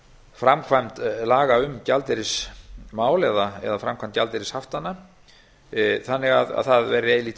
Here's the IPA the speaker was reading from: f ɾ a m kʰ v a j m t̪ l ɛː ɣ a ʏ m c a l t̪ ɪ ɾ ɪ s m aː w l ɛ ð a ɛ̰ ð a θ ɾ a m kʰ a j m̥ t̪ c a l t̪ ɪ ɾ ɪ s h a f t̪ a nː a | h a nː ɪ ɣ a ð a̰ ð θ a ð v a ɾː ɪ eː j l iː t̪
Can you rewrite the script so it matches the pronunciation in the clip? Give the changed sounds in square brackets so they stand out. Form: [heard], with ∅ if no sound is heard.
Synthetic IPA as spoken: f ɾ a m kʰ v a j m t̪ l [aː] ɣ a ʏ m c a l t̪ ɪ ɾ ɪ s m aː w l ɛ ð a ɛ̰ ð a [f] ɾ a m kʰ a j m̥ t̪ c a l t̪ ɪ ɾ ɪ s h a f t̪ a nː a | [θ] a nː ɪ ɣ a ð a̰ ð θ a ð v [ɛ] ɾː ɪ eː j l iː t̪

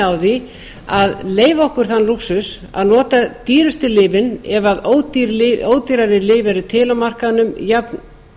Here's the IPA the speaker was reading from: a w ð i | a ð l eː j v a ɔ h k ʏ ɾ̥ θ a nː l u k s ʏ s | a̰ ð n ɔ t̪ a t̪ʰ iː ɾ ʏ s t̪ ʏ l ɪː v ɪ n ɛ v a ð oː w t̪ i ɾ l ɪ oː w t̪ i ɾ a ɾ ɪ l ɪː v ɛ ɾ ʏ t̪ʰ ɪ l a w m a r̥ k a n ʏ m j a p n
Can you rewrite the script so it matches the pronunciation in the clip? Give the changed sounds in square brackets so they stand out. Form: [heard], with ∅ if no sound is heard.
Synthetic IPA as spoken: a w ð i | a ð l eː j v a ɔ h k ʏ ɾ̥ θ a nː l u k s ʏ s | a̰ ð n [ɔː] t̪ a [t̪] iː ɾ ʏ s t̪ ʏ l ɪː v ɪ n ɛ v a ð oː w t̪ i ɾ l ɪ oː w t̪ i ɾ a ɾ ɪ l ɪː v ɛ ɾ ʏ t̪ʰ ɪ l a w m a r̥ k a n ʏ m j a p n

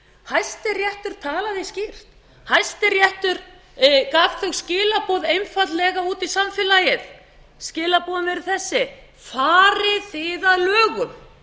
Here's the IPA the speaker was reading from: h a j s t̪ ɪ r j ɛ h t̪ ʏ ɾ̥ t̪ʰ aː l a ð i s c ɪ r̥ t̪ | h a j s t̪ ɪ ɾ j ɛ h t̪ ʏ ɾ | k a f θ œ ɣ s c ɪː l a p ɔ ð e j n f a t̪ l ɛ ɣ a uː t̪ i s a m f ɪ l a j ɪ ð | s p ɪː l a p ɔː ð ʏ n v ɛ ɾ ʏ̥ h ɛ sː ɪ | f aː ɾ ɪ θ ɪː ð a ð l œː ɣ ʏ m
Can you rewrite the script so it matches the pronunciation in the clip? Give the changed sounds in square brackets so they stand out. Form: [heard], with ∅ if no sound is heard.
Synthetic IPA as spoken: h a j s t̪ ɪ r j ɛ h t̪ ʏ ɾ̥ t̪ʰ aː l a ð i s c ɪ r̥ t̪ | h a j s t̪ ɪ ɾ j ɛ h t̪ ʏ ɾ | k a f θ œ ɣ s c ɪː l a p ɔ ð e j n f a t̪ l ɛ ɣ a uː t̪ i s a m f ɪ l a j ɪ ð | s [c] ɪː l a p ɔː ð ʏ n v ɛ ɾ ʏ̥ [θ] ɛ sː ɪ | f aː ɾ ɪ θ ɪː ð a ð l œː ɣ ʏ m

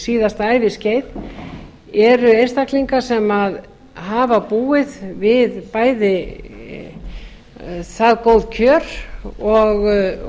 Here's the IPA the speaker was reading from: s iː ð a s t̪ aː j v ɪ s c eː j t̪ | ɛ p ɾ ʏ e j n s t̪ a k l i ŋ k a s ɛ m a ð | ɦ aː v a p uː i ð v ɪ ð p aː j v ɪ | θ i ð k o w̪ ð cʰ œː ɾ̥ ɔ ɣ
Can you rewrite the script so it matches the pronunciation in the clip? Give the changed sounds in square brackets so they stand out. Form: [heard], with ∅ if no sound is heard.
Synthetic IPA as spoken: s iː ð a s t̪ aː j v ɪ s c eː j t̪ | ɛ [∅] ɾ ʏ e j n s t̪ a k l i ŋ k a s ɛ m a ð | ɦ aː v a p uː [ɪ] ð v ɪ ð p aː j [ð] ɪ | θ [a] ð k o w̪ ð cʰ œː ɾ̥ ɔ ɣ

